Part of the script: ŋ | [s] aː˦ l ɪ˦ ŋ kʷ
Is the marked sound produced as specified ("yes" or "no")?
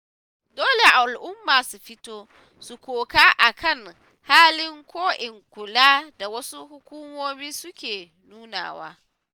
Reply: no